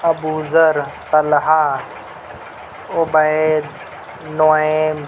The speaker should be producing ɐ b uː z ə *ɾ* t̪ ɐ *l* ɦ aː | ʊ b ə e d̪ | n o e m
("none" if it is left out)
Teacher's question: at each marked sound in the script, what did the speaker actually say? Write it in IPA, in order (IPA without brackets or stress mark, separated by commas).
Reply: ɾ, l